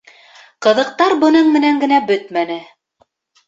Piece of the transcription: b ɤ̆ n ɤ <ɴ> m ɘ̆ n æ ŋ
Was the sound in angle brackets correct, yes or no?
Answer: yes